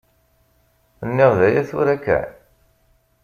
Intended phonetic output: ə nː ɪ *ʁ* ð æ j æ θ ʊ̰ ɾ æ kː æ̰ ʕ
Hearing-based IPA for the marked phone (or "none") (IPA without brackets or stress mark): ʁ